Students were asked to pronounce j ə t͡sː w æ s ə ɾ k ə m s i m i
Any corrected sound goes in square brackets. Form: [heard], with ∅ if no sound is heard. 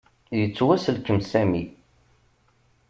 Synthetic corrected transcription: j ə t͡sː w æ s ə [l] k ə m s [æ] m i